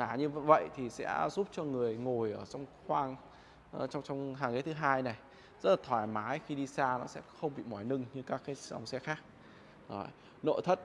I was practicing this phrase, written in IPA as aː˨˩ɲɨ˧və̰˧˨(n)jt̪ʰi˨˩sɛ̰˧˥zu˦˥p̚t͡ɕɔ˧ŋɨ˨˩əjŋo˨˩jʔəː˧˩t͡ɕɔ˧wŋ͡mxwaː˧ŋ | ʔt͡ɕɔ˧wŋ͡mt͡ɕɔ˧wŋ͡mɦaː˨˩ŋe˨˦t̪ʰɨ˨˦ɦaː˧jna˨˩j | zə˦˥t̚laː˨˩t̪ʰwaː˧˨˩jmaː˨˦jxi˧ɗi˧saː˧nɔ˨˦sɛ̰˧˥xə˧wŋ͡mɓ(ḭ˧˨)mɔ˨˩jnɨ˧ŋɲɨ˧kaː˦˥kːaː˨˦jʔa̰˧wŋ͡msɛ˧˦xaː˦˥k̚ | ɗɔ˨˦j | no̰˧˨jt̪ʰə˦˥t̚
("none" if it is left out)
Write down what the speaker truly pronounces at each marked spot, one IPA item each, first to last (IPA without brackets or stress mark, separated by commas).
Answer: none, ḭ˧˨